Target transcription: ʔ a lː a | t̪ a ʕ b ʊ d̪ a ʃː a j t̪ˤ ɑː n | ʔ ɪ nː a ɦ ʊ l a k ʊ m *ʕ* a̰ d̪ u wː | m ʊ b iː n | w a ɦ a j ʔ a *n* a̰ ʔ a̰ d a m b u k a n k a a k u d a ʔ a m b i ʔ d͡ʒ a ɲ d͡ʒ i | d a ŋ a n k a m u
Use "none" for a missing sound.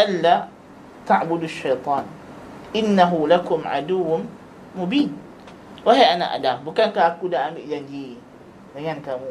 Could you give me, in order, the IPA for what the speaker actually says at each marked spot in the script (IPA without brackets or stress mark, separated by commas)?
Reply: ʕ, n